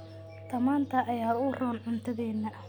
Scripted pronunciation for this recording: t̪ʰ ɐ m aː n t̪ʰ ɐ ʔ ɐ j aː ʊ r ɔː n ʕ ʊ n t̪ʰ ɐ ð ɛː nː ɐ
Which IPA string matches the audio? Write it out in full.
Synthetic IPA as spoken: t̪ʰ ɐ m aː n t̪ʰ ɐ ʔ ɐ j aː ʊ r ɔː n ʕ ʊ n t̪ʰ ɐ ð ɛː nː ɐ

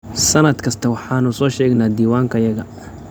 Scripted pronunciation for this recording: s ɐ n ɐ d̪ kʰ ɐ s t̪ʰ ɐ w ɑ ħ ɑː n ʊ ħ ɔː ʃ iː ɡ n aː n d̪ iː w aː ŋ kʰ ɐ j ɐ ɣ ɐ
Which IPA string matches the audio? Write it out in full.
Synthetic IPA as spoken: s ɐ n ɐ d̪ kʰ ɐ s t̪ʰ ɐ w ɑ ħ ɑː n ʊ s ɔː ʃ ɛː ɡ n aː d̪ iː w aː ŋ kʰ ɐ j ɐ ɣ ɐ

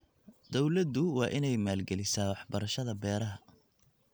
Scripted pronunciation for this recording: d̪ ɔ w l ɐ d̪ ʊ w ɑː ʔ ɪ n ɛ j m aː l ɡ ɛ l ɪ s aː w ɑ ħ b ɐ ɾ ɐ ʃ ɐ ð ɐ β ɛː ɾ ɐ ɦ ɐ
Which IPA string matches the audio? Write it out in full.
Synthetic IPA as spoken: d̪ ɔ w l ɐ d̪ ʊ w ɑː ʔ ɪ n ɛ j m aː l ɡ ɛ l ɪ s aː w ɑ ħ b ɐ ɾ ɐ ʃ ɐ ð ɐ b ɛː ɾ ɐ ɦ ɐ

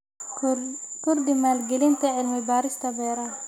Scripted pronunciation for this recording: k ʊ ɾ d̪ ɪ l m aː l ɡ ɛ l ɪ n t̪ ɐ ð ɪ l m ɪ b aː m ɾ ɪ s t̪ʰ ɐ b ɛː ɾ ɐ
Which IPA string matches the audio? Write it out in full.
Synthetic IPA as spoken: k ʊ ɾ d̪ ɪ m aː l ɡ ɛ l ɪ n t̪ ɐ ʕ ɪ l m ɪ b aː ɾ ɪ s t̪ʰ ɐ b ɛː ɾ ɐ

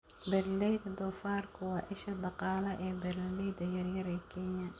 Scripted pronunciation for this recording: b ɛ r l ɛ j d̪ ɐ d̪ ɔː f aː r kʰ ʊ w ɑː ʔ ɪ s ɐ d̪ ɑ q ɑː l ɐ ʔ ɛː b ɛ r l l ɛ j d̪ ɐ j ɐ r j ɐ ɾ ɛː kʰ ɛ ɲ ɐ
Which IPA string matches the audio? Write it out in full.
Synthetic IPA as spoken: b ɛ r l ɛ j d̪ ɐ d̪ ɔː f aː r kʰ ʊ w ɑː ʔ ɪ ʃ ɐ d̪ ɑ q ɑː l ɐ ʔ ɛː b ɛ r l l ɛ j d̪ ɐ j ɐ r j ɐ ɾ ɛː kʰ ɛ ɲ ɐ

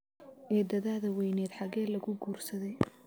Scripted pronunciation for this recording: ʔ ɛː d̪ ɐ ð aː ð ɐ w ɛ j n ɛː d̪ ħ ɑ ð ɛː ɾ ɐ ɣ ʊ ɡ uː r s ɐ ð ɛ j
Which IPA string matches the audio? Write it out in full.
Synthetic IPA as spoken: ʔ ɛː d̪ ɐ ð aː ð ɐ w ɛ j n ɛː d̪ ħ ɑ ɣ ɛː l ɐ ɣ ʊ ɡ uː r s ɐ ð ɛ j

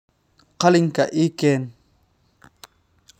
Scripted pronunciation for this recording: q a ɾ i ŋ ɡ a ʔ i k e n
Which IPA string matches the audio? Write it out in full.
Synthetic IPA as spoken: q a l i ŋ k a ʔ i k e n

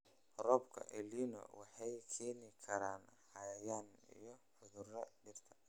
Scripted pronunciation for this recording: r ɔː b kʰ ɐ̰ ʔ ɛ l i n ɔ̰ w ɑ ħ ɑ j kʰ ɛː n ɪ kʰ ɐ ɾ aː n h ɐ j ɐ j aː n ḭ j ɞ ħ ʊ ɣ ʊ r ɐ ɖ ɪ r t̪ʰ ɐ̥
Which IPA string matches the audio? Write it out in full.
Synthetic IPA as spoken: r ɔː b kʰ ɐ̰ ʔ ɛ l i n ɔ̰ w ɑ ħ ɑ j kʰ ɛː n ɪ kʰ ɐ ɾ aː n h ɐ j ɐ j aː n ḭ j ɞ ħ ʊ ð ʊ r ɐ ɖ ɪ r t̪ʰ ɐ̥

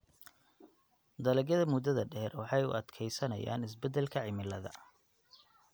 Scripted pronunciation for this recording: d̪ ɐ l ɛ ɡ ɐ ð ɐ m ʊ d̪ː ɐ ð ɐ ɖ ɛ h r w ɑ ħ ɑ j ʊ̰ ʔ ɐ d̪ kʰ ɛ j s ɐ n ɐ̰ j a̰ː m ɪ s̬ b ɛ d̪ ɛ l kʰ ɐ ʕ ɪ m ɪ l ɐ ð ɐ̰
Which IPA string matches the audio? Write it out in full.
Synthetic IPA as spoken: d̪ ɐ l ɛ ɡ ɐ ð ɐ m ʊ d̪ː ɐ ð ɐ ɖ ɛ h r w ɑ ħ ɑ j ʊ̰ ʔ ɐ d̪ kʰ ɛ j s ɐ n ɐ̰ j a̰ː n ɪ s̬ b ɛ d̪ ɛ l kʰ ɐ ʕ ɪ m ɪ l ɐ ð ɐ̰

